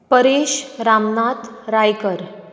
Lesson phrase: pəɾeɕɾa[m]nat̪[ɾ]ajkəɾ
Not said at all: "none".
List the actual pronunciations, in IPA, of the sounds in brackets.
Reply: m, ɾ

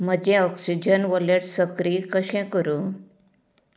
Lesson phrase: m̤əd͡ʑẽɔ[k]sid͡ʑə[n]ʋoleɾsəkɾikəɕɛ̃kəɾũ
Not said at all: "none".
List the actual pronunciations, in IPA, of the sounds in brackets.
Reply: k, n

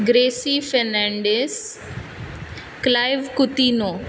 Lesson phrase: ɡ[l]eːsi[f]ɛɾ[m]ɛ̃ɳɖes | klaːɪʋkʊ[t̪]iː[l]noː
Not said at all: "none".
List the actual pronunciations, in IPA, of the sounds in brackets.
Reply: ɾ, f, n, t̪, none

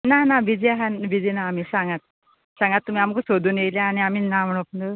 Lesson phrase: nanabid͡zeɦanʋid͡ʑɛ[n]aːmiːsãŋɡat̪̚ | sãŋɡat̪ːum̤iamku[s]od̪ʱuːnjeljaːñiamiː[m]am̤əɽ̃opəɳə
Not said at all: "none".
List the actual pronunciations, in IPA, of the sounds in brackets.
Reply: n, s, n

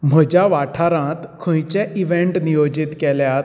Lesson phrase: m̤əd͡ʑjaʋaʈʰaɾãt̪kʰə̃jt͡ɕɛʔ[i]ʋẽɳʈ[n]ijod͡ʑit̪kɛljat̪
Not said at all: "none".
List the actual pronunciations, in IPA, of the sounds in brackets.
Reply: i, n

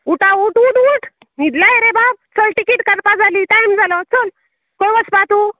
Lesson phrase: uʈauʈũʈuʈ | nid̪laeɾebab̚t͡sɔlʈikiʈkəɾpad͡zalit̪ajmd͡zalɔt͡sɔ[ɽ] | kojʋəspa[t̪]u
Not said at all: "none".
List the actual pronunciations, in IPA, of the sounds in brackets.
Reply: l, t̪

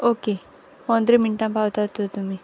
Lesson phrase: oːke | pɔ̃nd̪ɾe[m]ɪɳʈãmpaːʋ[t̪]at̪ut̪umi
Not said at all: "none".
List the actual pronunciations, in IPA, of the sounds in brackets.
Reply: m, t̪

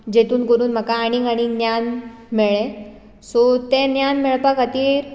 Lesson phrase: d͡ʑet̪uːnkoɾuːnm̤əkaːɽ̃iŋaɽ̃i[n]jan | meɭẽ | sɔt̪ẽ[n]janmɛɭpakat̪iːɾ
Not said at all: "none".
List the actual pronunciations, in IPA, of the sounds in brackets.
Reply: n, n

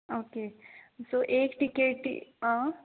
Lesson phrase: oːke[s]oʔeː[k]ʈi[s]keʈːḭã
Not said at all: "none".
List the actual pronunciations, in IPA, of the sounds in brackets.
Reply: s, k, none

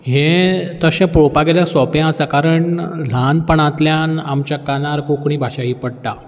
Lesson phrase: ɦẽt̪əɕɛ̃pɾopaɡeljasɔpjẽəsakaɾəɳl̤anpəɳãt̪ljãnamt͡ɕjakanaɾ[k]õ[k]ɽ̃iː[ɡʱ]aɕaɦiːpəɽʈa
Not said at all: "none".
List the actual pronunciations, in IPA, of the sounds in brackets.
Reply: k, k, bʱ

